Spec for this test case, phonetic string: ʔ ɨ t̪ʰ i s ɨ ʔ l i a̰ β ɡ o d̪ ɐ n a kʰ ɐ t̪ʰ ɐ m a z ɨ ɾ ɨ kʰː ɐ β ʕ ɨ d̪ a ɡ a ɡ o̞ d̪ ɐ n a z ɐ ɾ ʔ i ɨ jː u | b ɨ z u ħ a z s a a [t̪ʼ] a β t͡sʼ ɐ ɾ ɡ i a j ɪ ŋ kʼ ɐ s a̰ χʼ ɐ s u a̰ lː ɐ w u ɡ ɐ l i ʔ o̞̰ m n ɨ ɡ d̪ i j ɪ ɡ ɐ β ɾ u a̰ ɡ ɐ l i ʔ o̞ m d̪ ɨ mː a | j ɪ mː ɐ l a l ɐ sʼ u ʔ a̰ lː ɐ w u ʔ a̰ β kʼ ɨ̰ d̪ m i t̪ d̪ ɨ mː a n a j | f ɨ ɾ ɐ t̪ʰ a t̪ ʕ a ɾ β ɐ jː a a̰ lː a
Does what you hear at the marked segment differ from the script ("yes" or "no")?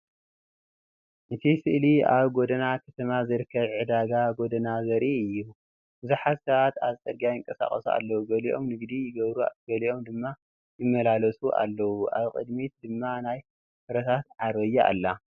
yes